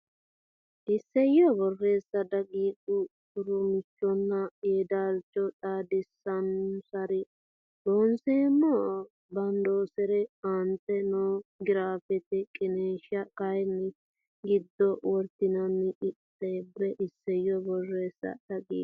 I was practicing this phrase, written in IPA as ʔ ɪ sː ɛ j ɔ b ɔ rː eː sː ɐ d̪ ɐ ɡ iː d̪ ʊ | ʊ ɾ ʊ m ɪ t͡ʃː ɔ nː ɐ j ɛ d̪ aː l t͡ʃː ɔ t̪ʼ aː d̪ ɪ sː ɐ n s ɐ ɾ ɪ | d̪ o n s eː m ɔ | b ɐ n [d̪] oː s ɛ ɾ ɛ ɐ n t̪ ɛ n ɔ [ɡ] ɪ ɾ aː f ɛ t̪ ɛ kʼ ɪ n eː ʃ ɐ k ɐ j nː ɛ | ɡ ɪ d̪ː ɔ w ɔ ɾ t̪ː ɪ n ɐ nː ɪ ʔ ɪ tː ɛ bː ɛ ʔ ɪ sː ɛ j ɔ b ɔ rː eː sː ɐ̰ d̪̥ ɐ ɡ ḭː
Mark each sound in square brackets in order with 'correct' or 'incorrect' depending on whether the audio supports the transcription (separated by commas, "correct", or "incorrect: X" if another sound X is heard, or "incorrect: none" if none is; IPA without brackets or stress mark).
correct, correct